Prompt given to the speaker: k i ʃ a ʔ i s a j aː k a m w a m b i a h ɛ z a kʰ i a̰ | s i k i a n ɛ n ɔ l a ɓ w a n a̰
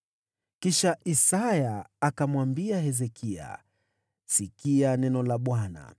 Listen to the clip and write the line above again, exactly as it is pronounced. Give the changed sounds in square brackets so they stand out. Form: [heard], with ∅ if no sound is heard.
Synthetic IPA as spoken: k i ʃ a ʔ i s a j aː k a m w a m b i a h ɛ z [ɛ] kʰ i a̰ | s i k i a n ɛ n ɔ l a ɓ w a n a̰

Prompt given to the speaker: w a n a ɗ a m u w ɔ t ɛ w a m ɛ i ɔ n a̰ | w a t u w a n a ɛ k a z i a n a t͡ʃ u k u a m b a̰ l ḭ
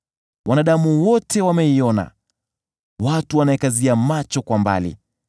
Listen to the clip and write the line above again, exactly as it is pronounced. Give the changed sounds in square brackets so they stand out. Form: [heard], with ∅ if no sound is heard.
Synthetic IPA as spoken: w a n a ɗ a m u w ɔ t ɛ w a m ɛ i ɔ n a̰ | w a t u w a n a ɛ k a z i a [m] a t͡ʃ [ɔ] k [w] a m b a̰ l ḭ

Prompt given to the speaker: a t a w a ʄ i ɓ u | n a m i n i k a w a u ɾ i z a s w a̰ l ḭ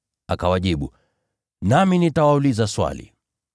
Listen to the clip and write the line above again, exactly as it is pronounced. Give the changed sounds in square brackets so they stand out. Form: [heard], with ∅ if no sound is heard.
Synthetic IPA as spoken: a [k] a w a ʄ i ɓ u | n a m i n i [t] a w a u [l] i z a s w a̰ l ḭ

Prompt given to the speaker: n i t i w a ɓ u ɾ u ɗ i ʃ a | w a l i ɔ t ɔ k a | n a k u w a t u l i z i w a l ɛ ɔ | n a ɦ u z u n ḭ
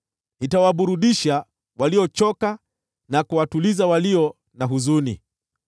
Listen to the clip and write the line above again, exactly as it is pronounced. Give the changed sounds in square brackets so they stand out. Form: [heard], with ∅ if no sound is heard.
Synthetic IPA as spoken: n i t [a] w a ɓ u ɾ u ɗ i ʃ a | w a l i ɔ [t͡ʃ] ɔ k a | n a k u w a t u l i z [a] w a l [i] ɔ | n a ɦ u z u n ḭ

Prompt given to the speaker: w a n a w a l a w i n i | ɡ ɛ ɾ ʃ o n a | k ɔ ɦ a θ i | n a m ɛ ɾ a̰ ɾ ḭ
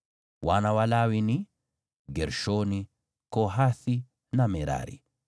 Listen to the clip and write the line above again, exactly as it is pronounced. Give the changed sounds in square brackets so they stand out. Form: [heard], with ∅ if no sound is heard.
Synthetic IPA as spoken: w a n a w a l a w i n i | ɡ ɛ ɾ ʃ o n [i] | k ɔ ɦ a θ i | n a m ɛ ɾ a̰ ɾ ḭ

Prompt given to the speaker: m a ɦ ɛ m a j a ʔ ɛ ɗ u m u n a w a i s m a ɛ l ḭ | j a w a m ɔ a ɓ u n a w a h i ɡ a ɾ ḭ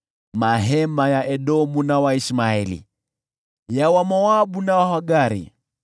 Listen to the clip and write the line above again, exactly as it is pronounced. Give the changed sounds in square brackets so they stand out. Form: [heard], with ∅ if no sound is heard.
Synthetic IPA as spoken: m a ɦ ɛ m a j a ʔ ɛ ɗ [ɔ] m u n a w a i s m a ɛ l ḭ | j a w a m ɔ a ɓ u n a w a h [a] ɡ a ɾ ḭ

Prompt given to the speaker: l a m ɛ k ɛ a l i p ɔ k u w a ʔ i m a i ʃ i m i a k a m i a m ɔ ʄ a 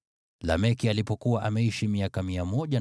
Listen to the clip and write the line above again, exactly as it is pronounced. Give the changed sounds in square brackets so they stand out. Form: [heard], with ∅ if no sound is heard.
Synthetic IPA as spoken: l a m ɛ k [i] a l i p ɔ k u w a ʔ [a] m [ɛ] i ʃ i m i a k a m i a m ɔ ʄ a

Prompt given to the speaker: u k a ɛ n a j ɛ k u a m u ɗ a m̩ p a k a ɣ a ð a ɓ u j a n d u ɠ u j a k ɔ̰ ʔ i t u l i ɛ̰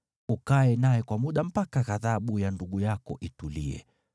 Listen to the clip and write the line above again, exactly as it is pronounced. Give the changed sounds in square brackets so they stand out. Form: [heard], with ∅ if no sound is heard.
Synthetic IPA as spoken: u k a ɛ n a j ɛ k [w] a m u ɗ a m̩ p a k a ɣ a ð a ɓ u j a n d u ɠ u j a k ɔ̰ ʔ i t u l i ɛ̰

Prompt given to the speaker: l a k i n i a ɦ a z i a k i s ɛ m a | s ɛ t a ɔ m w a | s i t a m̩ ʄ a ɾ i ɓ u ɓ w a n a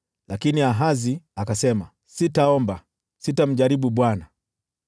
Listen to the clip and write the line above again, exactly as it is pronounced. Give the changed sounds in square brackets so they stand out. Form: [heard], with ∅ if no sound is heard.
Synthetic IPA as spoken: l a k i n i a ɦ a z i a k [a] s ɛ m a | s [i] t a ɔ m [b] a | s i t a m̩ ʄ a ɾ i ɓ u ɓ w a n a

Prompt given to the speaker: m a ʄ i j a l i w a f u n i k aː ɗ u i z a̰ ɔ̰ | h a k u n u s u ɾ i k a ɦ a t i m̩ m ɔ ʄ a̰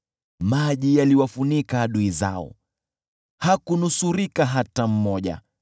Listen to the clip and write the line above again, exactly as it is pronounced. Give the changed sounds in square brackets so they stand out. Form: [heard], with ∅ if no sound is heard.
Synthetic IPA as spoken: m a ʄ i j a l i w a f u n i k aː ɗ u i z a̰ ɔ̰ | h a k u n u s u ɾ i k a ɦ a t [a] m̩ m ɔ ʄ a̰

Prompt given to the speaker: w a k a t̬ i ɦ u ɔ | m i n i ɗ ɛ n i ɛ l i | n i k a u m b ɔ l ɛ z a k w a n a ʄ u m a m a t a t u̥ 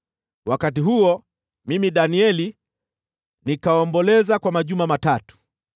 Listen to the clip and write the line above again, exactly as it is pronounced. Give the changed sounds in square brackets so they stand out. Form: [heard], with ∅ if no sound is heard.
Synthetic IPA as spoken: w a k a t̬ i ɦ u ɔ | m i [m] i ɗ [a] n i ɛ l i | n i k a [ɔ] m b ɔ l ɛ z a k w a [m] a ʄ u m a m a t a t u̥

